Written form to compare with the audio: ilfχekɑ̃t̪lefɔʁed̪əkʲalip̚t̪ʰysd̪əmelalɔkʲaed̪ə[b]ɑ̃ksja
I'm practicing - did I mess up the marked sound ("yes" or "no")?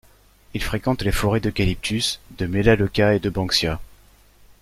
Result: no